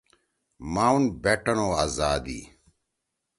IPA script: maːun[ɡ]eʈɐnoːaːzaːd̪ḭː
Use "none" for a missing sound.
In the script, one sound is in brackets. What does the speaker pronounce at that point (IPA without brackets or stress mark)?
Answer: b